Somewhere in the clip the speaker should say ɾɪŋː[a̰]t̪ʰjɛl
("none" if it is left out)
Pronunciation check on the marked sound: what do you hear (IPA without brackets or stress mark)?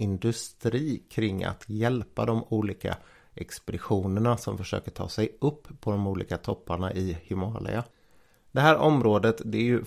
a̰